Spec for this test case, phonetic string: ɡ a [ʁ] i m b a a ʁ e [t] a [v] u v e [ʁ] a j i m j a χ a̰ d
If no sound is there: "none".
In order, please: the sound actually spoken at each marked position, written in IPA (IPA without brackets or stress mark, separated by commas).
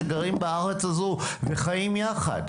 ʁ, t͡s, z, χ